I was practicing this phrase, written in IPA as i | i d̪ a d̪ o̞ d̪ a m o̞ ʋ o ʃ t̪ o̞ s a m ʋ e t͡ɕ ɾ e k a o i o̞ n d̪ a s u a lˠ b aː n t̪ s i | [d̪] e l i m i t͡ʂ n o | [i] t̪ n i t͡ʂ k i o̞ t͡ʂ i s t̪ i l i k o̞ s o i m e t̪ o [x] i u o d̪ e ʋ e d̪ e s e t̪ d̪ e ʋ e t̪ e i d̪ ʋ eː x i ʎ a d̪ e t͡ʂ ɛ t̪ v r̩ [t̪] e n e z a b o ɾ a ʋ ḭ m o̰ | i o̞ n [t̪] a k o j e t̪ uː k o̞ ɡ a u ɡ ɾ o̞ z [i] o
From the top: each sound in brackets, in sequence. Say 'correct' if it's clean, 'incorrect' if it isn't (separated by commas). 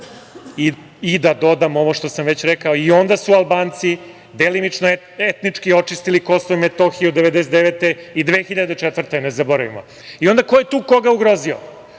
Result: correct, incorrect, correct, correct, incorrect, correct